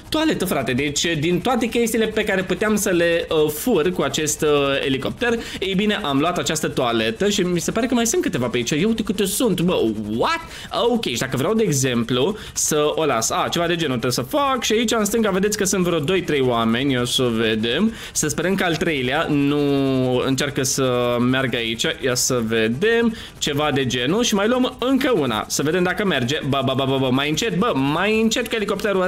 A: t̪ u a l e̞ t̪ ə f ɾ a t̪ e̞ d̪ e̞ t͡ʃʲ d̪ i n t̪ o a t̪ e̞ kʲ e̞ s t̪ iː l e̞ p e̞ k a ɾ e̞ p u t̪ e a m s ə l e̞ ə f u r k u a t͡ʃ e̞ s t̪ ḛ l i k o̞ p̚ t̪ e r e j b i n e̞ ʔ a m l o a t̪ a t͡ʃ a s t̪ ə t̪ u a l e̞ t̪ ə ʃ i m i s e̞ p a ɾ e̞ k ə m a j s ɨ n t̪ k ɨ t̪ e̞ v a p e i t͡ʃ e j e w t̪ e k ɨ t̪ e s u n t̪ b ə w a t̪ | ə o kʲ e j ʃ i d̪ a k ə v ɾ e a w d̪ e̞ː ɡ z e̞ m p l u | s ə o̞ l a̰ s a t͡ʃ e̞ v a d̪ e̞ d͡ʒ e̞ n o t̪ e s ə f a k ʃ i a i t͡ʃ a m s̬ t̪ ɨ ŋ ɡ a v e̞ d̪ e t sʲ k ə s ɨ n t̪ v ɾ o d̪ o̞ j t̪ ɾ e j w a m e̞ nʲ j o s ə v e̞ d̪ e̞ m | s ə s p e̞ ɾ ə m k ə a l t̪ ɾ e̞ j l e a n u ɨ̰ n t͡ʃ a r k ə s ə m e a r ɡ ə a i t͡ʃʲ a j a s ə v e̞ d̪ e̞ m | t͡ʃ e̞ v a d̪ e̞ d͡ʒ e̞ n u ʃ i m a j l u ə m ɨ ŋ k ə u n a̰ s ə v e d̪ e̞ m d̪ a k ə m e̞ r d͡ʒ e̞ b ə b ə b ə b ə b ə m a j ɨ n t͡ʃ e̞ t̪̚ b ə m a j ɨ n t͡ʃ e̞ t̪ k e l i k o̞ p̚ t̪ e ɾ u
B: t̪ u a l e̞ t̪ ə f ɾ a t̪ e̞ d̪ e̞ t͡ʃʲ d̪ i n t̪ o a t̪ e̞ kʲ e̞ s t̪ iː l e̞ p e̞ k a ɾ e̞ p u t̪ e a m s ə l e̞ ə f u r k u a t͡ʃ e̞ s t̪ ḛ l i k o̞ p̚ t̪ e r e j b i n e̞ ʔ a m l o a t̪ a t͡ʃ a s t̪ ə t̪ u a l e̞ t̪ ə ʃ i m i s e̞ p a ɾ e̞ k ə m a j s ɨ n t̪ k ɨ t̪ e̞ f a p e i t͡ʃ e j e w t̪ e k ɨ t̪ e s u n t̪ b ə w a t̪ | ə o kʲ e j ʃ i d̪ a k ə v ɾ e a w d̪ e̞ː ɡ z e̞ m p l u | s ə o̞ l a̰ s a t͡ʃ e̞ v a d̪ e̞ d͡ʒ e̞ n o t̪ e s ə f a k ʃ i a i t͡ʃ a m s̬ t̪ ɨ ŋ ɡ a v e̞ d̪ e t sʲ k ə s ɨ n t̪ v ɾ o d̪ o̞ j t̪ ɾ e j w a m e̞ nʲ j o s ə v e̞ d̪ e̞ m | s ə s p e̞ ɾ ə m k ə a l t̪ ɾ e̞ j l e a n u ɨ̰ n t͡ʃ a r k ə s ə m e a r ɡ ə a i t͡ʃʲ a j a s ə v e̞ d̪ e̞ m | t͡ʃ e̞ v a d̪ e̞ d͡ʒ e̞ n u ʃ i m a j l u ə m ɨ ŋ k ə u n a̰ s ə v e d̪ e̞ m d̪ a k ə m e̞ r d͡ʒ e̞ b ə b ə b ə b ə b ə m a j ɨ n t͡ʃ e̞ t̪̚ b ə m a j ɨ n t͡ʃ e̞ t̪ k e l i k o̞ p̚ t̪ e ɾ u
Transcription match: A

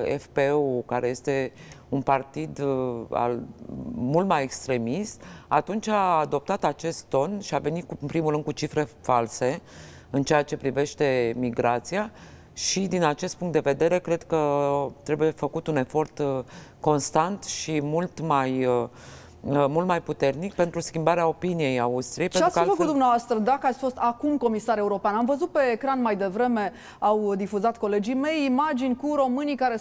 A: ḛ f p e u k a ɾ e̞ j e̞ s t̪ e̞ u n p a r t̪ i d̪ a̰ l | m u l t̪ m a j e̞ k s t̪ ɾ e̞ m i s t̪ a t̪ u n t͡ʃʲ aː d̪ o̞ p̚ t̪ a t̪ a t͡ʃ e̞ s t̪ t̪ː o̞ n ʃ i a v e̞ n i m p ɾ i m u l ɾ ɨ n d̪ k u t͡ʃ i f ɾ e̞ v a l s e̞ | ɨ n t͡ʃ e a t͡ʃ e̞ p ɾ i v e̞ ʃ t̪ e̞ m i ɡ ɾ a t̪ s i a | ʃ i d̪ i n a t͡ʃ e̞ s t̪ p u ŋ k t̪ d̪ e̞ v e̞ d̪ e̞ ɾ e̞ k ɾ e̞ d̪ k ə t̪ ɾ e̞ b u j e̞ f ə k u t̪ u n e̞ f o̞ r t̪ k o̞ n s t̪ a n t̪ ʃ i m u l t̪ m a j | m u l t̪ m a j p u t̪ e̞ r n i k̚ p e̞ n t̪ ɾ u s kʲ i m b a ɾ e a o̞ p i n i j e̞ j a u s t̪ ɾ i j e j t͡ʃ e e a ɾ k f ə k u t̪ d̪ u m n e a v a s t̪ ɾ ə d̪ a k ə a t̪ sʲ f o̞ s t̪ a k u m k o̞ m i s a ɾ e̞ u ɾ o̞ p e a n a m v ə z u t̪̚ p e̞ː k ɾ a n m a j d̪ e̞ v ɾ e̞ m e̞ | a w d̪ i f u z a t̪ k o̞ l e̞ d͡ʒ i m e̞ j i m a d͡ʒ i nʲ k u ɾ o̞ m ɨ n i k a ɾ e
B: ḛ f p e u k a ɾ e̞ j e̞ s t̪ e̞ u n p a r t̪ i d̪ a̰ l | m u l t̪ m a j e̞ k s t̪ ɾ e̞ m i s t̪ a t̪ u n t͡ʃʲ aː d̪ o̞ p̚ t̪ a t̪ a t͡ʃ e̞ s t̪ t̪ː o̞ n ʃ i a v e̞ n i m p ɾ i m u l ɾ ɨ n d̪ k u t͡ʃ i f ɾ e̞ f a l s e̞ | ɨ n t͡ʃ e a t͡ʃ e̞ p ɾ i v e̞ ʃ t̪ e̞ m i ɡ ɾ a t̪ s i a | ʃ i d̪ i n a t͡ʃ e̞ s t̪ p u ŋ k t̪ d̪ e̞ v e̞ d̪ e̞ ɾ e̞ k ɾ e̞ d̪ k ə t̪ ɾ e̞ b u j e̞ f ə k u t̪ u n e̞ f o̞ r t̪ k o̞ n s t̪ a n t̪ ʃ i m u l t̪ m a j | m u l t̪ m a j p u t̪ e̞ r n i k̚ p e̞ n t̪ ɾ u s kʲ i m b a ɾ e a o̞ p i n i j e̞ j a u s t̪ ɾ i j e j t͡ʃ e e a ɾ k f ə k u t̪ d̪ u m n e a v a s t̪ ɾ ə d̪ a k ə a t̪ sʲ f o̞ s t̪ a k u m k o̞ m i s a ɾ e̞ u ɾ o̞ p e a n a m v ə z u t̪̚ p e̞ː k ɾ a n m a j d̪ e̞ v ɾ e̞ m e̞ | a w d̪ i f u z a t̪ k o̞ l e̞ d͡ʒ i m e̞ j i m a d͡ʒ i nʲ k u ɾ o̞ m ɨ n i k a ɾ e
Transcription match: B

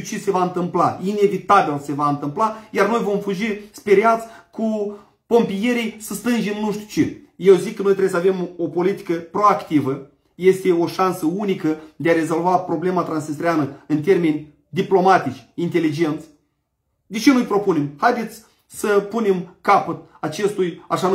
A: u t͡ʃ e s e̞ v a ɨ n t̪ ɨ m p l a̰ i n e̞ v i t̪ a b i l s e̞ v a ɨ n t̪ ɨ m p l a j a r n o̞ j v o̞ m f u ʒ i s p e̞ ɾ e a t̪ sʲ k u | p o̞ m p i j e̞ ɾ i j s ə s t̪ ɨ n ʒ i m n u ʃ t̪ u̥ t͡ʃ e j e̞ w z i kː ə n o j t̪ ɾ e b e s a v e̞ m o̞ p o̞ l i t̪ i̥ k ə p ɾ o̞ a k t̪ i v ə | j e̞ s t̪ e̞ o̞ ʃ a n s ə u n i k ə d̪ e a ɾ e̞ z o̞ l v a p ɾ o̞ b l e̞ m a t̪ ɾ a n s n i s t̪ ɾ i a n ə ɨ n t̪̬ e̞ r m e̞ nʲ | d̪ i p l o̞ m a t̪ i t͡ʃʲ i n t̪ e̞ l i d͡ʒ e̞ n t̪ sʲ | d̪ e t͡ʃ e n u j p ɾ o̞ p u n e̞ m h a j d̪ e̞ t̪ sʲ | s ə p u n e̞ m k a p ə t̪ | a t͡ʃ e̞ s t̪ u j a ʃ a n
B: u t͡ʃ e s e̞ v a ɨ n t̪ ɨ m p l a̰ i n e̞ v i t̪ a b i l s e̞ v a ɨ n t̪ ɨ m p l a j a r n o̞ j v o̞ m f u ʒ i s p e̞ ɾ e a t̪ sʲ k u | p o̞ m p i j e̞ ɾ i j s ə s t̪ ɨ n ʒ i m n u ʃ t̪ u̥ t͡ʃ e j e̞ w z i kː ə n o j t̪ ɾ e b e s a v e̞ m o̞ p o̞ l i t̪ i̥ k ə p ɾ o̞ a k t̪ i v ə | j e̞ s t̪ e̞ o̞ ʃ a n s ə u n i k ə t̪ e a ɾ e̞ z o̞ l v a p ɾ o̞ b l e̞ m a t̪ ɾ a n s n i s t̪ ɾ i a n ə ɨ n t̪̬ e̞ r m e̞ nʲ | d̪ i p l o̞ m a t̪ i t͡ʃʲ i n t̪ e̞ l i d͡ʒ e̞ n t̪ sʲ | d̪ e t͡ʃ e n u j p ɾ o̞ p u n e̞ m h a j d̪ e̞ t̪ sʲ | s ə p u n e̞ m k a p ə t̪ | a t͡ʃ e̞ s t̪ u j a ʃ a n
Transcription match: A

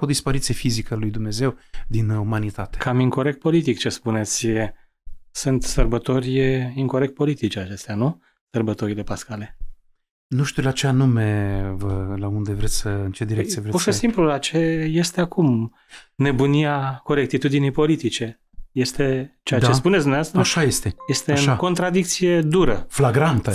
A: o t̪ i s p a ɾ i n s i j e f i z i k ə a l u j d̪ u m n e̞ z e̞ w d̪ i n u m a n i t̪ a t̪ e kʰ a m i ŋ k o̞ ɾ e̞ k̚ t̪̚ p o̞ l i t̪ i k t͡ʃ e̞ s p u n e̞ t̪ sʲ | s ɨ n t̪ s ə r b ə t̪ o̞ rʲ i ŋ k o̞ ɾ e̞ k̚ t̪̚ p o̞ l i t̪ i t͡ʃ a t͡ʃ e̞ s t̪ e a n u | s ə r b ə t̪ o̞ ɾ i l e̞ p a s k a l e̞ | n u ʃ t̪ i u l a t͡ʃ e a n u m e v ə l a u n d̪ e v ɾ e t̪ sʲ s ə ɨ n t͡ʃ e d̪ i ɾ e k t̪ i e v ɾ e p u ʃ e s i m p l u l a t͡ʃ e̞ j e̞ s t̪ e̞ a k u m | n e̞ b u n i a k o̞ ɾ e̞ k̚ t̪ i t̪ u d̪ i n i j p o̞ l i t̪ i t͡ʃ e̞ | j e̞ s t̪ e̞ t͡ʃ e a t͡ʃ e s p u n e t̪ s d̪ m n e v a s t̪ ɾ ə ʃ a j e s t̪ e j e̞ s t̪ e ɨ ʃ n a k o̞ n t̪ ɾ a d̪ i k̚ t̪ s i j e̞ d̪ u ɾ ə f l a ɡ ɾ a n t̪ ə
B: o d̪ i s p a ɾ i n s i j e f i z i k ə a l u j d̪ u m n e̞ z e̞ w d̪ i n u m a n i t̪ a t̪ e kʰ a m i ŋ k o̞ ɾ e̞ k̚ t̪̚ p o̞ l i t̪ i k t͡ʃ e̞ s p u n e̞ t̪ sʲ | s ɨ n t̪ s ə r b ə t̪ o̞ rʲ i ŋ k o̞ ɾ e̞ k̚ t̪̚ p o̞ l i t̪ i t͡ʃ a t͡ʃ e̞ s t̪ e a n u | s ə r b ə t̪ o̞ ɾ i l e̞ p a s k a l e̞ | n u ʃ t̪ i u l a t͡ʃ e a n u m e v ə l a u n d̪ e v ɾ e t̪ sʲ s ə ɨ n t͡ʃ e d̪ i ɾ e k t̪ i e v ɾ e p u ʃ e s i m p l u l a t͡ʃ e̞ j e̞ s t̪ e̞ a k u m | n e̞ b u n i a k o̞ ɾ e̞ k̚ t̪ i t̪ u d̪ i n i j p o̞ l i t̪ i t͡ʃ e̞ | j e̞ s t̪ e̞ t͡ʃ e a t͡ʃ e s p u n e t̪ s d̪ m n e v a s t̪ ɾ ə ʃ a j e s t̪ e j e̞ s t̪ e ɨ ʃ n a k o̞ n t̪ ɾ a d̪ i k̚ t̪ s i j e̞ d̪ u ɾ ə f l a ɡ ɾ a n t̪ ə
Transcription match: B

